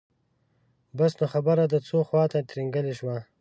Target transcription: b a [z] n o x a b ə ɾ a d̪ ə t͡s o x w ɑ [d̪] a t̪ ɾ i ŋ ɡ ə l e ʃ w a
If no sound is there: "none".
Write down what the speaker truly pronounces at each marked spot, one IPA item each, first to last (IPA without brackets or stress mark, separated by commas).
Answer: s, t̪